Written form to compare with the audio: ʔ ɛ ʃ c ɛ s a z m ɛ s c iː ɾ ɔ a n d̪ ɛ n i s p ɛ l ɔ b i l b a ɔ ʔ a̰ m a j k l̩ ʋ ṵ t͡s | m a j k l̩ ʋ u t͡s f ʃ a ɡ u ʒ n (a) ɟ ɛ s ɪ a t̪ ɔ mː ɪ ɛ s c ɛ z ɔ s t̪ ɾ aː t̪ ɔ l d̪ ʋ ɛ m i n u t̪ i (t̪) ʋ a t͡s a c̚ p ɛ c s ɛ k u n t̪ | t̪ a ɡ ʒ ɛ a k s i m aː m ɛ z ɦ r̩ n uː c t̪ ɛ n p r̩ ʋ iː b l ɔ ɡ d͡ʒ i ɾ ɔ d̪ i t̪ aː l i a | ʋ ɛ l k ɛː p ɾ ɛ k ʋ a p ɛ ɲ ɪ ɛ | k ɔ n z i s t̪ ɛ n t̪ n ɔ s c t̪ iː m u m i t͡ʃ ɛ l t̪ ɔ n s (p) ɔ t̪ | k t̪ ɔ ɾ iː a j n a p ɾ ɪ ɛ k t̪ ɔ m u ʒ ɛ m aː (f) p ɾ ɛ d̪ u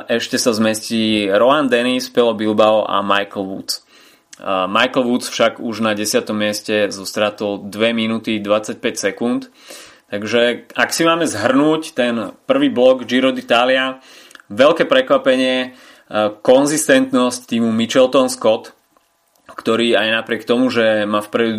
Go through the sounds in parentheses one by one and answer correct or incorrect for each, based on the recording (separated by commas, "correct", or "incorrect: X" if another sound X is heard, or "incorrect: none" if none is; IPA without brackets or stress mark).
correct, incorrect: d̪, incorrect: k, correct